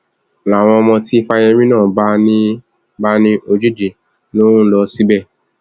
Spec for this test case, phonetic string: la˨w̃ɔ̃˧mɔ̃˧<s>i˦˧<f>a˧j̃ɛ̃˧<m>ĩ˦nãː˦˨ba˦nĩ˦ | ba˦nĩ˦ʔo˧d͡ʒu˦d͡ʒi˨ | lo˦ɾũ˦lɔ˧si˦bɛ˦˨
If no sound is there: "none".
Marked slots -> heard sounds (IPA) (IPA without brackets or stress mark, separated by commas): t, f, m